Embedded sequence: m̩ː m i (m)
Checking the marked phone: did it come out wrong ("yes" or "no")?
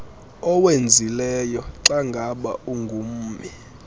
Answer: yes